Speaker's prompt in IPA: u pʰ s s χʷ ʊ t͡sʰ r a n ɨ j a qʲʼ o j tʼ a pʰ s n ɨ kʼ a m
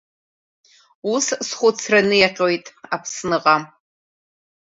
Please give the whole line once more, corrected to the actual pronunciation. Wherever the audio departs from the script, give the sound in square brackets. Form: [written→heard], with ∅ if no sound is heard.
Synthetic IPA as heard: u [pʰ→∅] s s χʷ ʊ t͡sʰ r a n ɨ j a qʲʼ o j tʼ a pʰ s n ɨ [kʼ→qʼ] a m

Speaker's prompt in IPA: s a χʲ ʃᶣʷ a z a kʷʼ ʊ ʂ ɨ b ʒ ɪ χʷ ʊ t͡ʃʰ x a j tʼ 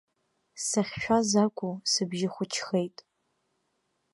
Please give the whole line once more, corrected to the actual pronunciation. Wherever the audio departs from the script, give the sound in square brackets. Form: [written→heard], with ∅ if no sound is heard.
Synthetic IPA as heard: s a χʲ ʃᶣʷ a z a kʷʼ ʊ [ʂ→s] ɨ b ʒ ɪ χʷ ʊ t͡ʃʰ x [a→e] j tʼ

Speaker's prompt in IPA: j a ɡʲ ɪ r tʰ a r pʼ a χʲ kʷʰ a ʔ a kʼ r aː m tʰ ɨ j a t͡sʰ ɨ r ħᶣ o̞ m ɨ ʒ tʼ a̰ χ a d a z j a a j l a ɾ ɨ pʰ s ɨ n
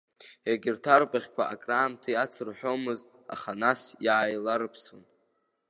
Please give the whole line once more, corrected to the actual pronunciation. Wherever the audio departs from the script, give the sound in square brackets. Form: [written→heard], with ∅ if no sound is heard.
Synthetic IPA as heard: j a ɡʲ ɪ r tʰ a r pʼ a χʲ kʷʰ a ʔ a kʼ r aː m tʰ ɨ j a t͡sʰ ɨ r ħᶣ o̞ m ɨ [ʒ→z] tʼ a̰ χ a [d→n] a [z→s] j a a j l a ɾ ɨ pʰ s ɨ n

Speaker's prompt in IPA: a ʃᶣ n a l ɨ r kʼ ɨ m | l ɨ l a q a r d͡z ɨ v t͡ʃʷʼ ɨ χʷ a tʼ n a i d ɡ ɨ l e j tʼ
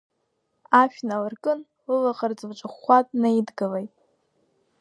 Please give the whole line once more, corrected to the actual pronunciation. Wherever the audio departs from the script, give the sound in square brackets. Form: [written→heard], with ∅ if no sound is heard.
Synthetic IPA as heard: a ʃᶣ n a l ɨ r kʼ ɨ [m→n] | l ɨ l a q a r d͡z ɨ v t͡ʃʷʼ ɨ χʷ a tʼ n a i d ɡ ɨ l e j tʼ

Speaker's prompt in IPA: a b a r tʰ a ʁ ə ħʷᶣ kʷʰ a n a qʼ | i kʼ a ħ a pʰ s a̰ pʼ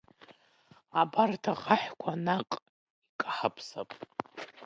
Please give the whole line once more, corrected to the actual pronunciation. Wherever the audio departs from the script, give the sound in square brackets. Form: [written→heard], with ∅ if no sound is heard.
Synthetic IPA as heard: a b a r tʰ a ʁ [ə→a] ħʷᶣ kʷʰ a n a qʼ | i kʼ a ħ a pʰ s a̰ pʼ

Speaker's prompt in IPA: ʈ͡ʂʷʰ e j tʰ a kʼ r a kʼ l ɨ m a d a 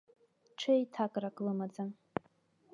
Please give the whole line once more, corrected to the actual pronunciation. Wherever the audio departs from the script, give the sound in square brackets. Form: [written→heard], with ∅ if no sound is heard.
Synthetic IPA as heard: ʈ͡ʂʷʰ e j tʰ a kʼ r a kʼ l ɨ m a [d→d͡z] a

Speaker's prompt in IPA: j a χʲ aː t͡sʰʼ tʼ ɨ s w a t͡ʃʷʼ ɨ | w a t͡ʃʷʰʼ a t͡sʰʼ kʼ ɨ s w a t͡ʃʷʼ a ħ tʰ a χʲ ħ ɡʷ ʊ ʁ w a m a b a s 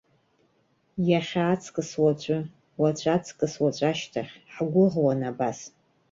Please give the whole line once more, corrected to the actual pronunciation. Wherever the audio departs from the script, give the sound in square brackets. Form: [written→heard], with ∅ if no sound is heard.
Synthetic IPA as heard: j a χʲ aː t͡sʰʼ [tʼ→kʼ] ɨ s w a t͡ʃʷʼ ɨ | w a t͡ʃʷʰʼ a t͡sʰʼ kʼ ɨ s w a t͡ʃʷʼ a [ħ→ʃ] tʰ a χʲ ħ ɡʷ ʊ ʁ w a [m→n] a b a s

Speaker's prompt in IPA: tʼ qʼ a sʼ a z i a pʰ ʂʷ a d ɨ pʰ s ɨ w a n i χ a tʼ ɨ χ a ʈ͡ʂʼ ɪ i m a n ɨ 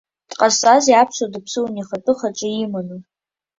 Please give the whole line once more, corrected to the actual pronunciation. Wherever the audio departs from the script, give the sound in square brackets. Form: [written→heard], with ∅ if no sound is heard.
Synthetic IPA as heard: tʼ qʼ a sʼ a z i a pʰ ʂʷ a d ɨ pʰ s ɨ w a n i χ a tʼ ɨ χ a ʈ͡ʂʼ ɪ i m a n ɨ

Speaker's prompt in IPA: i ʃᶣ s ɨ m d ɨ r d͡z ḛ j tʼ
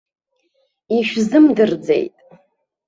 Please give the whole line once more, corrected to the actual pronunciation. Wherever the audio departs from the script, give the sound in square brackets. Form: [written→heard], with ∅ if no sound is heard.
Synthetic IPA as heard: i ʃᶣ [s→z] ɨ m d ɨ r d͡z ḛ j tʼ

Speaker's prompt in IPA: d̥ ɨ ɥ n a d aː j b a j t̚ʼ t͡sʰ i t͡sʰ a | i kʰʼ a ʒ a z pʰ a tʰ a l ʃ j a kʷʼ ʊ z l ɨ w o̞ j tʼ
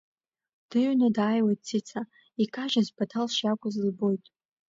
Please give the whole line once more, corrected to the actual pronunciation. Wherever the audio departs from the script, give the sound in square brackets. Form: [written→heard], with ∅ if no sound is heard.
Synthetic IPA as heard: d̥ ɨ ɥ n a d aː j [b→w] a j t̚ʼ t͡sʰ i t͡sʰ a | i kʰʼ a ʒ a z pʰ a tʰ a l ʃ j a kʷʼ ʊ z l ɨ [w→b] o̞ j tʼ

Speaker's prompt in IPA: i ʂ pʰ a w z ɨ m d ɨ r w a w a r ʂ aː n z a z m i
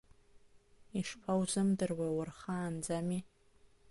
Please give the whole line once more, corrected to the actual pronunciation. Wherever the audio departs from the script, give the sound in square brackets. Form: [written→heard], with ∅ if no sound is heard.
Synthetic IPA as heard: i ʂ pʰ a w z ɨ m d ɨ r w a w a r [ʂ→χ] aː n [z→d͡z] a [z→∅] m i

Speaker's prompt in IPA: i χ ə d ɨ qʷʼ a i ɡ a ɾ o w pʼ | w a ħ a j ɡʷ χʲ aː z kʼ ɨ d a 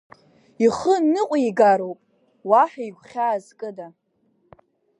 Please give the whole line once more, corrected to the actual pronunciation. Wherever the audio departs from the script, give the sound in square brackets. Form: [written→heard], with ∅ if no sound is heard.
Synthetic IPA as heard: i χ ə [d→n] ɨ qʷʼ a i ɡ a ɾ o w pʼ | w a ħ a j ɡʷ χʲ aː z kʼ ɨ d a

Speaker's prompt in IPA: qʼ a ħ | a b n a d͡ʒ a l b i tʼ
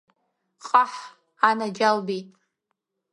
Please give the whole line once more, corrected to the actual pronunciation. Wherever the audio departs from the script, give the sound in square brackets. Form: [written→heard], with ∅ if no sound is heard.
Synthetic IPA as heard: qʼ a ħ | a [b→∅] n a d͡ʒ a l b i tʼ

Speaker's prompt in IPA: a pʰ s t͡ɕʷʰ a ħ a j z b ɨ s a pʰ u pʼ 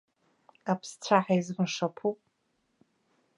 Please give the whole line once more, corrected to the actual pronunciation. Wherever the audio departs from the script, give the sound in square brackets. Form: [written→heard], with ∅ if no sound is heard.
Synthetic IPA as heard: a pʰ s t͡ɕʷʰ a ħ a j z [b→m] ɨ [s→ʂ] a pʰ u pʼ

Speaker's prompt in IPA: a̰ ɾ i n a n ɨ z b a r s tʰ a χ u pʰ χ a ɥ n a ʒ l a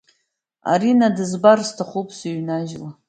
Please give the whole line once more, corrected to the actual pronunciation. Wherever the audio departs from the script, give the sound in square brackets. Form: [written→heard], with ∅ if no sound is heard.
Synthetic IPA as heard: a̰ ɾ i n a [n→d] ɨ z b a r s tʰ a χ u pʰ [χ→s] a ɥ n a ʒ l a

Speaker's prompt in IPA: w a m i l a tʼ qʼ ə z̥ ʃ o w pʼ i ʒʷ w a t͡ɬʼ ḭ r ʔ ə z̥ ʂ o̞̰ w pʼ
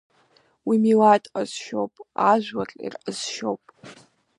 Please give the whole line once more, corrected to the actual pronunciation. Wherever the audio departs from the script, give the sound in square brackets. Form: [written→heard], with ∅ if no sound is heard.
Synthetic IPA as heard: w [a→i] m i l a tʼ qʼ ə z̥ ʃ o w pʼ [i→a] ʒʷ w a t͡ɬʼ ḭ r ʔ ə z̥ [ʂ→ʃ] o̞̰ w pʼ

